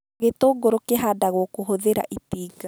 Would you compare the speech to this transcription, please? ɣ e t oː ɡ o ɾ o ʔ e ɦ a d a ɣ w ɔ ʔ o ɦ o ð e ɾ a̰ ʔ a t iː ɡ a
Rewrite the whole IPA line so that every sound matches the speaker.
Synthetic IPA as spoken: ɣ e t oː ɡ o ɾ o k e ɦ a d a ɣ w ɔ k o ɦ o ð e ɾ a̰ ʔ i t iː ɡ a